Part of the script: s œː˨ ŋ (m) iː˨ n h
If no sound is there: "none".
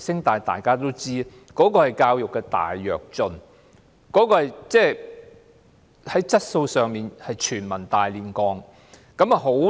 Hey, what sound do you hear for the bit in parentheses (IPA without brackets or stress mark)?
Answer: m